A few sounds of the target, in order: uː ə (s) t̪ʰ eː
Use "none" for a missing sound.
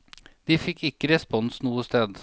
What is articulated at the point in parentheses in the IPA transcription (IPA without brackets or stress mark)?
s